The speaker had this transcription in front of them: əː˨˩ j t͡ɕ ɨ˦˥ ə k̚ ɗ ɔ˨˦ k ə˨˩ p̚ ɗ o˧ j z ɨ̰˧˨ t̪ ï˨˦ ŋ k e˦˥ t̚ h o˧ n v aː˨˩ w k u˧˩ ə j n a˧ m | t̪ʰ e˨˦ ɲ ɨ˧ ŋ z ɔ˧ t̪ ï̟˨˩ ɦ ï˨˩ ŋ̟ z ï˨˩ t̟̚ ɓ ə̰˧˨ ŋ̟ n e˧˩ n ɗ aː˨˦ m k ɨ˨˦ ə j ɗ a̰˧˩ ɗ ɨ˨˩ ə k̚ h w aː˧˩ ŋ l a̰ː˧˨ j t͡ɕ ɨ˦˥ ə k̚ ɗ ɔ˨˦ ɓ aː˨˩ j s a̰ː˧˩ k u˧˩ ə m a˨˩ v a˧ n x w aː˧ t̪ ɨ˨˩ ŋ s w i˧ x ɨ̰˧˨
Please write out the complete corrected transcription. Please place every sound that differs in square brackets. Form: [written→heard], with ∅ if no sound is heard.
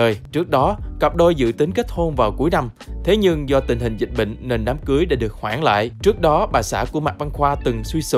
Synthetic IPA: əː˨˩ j t͡ɕ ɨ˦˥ ə k̚ ɗ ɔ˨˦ k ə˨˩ p̚ ɗ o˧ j z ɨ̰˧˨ t̪ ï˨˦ ŋ k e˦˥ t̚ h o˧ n v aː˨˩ w k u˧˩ ə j n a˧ m | t̪ʰ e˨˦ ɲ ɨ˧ ŋ z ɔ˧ t̪ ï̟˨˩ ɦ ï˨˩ ŋ̟ z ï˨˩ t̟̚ ɓ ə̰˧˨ ŋ̟ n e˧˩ n ɗ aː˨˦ m k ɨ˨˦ ə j ɗ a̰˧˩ ɗ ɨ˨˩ ə k̚ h w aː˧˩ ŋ l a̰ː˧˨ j t͡ɕ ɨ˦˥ ə k̚ ɗ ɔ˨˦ ɓ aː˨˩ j s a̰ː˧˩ k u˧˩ ə m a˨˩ v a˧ n x w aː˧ t̪ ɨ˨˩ ŋ s w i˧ [x→s] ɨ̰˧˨